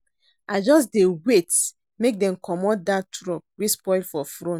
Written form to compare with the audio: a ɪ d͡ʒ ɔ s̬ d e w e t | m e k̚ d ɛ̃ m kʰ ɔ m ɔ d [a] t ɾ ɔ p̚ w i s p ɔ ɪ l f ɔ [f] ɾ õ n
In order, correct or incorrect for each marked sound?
correct, correct

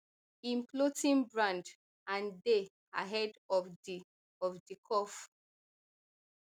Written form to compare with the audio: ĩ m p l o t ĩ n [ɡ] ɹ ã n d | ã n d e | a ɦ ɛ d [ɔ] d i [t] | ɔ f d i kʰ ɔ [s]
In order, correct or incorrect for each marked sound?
incorrect: b, correct, incorrect: none, incorrect: f

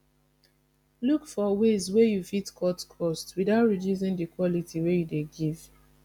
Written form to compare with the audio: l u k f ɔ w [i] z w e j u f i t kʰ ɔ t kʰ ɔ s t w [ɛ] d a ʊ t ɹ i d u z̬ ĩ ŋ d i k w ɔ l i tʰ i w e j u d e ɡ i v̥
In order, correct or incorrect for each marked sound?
incorrect: e, incorrect: i

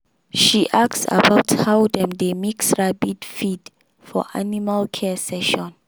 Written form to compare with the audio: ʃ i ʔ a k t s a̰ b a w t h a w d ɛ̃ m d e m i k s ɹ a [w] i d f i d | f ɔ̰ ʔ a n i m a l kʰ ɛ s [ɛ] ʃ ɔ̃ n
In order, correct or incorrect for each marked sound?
incorrect: b, correct

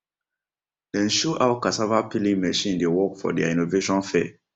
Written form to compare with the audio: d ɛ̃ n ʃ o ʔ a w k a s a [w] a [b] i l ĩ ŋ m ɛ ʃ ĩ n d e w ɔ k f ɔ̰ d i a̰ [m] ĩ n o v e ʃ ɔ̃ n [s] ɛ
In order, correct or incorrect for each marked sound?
incorrect: v, incorrect: p, incorrect: none, incorrect: f

